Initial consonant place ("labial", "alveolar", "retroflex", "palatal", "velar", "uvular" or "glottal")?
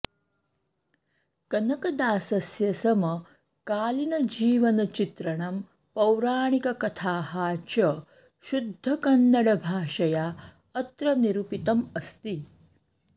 velar